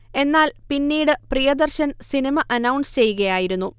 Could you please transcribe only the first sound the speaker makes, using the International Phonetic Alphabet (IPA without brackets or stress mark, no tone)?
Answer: e̞